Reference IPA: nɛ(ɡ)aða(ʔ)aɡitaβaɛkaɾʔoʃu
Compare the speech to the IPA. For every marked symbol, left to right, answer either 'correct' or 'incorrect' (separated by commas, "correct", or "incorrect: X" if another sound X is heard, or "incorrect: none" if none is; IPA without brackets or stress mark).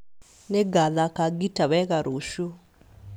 correct, incorrect: k